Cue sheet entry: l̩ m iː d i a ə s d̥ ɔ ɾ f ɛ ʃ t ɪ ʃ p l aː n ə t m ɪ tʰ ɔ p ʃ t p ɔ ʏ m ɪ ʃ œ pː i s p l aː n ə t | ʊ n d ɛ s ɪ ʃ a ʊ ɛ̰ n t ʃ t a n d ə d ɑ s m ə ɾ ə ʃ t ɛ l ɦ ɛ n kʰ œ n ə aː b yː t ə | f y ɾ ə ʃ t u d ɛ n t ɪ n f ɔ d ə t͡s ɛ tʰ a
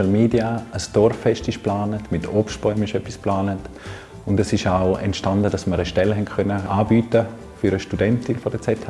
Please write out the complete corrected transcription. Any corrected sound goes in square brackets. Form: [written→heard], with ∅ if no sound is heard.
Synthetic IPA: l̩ m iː d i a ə s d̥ ɔ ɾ f ɛ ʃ t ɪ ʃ p l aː n ə t m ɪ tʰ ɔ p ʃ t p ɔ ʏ m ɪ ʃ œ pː i s p l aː n ə t | ʊ n d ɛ s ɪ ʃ a ʊ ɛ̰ n t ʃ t a n d ə d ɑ s m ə ɾ ə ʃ t ɛ l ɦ ɛ n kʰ œ n ə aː b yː t ə | f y ɾ ə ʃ t u d ɛ n t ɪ n f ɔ d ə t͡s ɛ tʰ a